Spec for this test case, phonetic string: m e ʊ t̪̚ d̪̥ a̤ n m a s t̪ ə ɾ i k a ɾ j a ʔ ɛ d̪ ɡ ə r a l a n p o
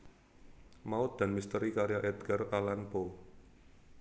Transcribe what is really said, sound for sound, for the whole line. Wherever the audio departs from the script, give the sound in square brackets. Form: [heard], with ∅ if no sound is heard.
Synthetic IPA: m [a] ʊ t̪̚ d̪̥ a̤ n m [i] s t̪ ə ɾ i k a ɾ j a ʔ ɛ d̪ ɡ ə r a l a n p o